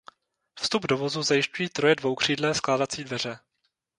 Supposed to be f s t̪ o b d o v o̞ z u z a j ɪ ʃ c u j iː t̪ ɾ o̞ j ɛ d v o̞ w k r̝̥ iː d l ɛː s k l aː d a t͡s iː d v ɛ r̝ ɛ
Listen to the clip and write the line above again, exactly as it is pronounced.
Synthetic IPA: f s t̪ u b d o v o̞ z u z a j ɪ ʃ c u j iː t̪ ɾ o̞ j ɛ d v o̞ w k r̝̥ iː d l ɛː s k l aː d a t͡s iː d v ɛ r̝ ɛ